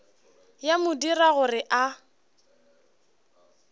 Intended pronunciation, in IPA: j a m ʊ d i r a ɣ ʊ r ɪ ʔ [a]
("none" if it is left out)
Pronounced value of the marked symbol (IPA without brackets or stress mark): a